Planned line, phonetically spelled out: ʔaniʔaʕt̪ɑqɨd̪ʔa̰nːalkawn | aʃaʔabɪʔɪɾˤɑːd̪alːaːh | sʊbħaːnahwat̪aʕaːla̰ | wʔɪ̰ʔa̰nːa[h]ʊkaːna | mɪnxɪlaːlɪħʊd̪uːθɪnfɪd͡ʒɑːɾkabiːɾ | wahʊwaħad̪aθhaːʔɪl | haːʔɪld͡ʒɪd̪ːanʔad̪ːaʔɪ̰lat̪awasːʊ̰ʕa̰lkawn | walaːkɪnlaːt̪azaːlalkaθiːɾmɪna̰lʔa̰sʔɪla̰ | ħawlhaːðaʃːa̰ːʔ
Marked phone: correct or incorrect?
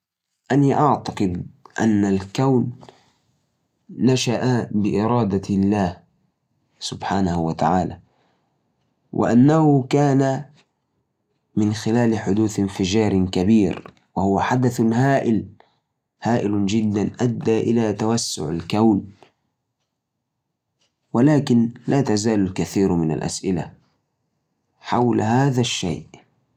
correct